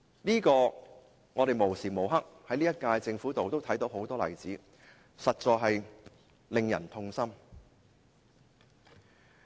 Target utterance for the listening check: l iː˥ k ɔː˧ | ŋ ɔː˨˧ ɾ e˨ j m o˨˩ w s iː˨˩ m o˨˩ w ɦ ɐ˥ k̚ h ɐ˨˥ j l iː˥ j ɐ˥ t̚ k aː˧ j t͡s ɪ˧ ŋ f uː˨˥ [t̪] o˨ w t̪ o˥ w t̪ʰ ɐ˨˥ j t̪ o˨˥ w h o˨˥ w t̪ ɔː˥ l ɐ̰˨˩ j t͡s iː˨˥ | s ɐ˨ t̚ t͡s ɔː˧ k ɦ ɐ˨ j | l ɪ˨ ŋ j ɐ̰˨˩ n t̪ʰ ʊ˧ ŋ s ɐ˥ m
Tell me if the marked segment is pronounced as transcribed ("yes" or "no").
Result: yes